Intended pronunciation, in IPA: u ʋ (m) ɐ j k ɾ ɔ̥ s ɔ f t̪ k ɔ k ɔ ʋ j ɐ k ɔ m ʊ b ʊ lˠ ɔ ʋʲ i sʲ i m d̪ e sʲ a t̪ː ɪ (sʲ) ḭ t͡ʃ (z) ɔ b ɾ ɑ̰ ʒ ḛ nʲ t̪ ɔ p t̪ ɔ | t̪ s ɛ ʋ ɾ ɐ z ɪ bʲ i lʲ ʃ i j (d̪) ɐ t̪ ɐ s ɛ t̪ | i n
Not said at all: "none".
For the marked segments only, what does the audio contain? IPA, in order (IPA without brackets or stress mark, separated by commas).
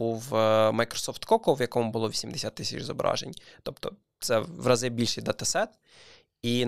m, sʲ, z, d̪